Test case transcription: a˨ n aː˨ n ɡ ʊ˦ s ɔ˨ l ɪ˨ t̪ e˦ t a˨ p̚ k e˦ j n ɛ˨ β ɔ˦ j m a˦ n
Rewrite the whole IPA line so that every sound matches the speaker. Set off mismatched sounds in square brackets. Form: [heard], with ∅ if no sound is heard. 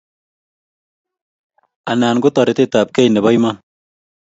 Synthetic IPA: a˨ n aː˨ n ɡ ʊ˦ [t] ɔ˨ [ɾ] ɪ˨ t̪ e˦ t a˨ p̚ k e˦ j n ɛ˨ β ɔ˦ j m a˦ n